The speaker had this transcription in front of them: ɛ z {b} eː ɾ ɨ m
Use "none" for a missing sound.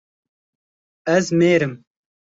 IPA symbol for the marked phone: m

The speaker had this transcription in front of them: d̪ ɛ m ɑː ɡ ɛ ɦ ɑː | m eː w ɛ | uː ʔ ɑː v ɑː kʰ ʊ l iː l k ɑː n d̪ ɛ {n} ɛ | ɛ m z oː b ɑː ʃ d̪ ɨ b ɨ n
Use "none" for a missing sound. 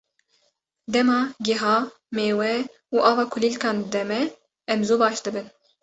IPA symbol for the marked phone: m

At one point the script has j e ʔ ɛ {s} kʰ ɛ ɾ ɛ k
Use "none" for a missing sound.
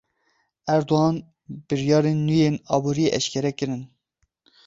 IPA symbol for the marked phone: ʃ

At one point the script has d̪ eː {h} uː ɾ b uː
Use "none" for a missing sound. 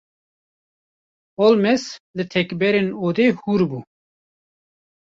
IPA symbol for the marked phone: h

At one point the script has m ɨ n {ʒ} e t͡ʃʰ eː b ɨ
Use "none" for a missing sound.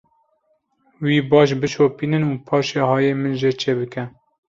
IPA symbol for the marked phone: ʒ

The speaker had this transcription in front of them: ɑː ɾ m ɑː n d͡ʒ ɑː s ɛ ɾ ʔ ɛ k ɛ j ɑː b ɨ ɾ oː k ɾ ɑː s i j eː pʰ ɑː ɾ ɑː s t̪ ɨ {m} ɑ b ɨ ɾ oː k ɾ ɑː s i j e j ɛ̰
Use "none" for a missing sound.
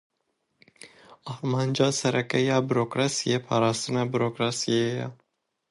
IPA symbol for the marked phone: n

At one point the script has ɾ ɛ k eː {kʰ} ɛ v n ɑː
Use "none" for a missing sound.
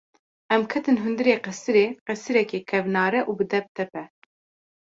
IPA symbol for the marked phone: kʰ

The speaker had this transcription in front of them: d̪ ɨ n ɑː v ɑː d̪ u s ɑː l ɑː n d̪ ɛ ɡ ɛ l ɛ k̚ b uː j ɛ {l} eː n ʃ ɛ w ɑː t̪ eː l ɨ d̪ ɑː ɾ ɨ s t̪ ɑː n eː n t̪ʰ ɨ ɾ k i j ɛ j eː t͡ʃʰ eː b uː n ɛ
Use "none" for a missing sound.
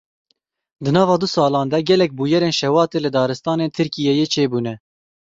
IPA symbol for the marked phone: ɾ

